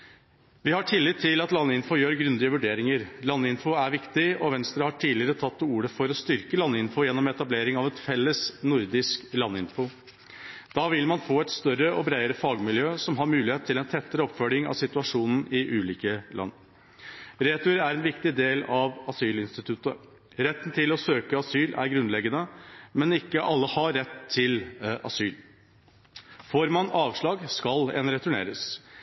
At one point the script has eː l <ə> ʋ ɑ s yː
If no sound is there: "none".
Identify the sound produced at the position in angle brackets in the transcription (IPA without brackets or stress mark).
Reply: ɑ